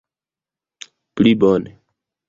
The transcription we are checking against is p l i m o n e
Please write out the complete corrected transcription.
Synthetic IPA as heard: p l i b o n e